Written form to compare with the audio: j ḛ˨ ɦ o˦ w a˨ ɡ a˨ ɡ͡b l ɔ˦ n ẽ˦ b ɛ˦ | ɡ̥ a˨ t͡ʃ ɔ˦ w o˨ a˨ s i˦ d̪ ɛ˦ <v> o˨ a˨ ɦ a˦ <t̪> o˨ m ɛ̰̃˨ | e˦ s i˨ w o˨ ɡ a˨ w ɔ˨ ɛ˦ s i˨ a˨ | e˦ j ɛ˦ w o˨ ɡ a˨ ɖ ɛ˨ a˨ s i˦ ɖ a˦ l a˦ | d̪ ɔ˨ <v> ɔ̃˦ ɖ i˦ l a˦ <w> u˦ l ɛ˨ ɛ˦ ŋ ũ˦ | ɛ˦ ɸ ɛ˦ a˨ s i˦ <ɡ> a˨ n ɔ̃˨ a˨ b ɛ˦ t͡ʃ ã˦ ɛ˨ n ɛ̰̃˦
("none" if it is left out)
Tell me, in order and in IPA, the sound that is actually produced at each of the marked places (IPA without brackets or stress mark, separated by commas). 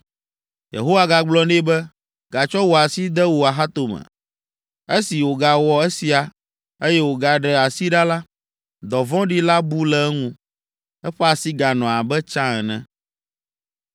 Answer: w, t̪, v, b, ɡ